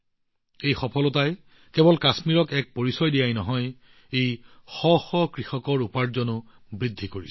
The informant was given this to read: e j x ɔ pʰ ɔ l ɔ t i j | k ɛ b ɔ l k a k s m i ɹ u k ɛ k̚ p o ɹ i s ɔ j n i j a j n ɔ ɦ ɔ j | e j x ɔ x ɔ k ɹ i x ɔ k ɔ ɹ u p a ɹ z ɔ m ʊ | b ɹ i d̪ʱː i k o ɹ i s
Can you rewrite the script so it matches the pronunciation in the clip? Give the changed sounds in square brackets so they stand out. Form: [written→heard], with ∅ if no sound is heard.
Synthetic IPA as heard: e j x ɔ pʰ ɔ l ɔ t [i→a] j | k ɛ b ɔ l k a [k→∅] s m i ɹ [u→ɔ] k ɛ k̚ p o ɹ i s ɔ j [n→d] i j a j n ɔ ɦ ɔ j | e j x ɔ x ɔ k ɹ i x ɔ k ɔ ɹ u p a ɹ z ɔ [m→n] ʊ | b ɹ i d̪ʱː i k o ɹ i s